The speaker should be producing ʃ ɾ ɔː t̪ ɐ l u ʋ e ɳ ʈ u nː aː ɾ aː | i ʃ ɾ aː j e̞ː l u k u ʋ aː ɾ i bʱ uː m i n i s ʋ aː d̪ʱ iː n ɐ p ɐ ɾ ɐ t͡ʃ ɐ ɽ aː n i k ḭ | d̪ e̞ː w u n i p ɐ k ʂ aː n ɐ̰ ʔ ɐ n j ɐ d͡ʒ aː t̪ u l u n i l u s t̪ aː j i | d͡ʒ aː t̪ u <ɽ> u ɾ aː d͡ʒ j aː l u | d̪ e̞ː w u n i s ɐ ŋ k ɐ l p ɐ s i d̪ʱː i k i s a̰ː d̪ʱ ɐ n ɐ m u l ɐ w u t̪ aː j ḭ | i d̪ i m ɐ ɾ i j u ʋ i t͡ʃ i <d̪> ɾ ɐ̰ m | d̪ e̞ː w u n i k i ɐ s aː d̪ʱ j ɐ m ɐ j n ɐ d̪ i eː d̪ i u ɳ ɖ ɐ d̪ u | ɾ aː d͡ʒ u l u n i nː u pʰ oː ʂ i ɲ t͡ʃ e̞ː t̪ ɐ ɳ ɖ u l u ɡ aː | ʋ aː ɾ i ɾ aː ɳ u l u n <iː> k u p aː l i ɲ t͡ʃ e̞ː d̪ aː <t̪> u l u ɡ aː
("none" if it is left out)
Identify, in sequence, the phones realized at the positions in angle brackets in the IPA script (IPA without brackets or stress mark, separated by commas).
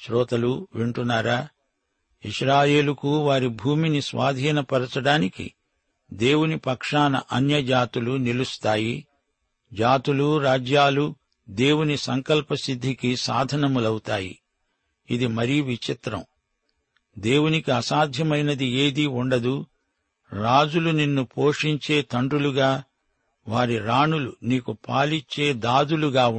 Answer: l, t̪, iː, d̪